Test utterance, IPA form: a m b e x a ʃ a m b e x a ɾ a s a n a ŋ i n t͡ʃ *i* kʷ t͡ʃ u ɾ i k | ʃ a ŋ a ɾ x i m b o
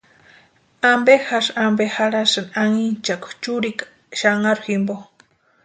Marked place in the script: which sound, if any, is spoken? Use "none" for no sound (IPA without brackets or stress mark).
a